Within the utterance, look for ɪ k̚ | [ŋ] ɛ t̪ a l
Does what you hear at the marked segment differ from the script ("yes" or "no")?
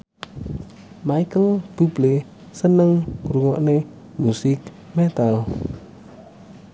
yes